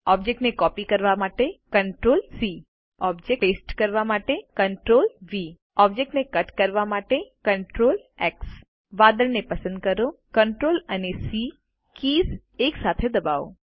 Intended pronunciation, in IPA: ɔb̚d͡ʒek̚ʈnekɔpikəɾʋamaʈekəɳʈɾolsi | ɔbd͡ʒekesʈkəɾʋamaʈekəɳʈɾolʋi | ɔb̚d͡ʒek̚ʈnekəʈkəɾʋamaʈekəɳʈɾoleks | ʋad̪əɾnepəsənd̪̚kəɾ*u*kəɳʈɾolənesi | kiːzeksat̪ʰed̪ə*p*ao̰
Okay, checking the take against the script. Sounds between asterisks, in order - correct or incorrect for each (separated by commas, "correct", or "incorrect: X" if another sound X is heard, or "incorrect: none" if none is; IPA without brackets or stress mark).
incorrect: o, incorrect: b